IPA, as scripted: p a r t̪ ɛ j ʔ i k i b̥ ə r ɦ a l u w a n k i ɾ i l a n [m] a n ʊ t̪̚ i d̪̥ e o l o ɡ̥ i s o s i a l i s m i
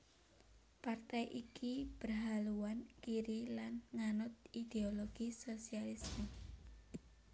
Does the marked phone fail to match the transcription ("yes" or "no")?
yes